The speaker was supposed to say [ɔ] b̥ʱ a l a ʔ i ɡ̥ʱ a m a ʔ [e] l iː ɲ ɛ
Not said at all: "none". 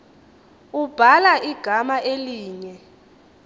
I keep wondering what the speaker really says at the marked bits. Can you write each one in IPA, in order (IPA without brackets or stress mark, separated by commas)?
u, e